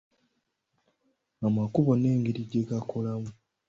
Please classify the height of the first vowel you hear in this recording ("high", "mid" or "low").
low